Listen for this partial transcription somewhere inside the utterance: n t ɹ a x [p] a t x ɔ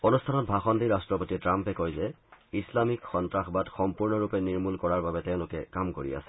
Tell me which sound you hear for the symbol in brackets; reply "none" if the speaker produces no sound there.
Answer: b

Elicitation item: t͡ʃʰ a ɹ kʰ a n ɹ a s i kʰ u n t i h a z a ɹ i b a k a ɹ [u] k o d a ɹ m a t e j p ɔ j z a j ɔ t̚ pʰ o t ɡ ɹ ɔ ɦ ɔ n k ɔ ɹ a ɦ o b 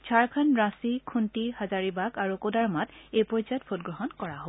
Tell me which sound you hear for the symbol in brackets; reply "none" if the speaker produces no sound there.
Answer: u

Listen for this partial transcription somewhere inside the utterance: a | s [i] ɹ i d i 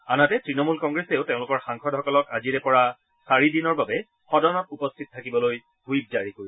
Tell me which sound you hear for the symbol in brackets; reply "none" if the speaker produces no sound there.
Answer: a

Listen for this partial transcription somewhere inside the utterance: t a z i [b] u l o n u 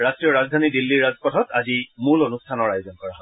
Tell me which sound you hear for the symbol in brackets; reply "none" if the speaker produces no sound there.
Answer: m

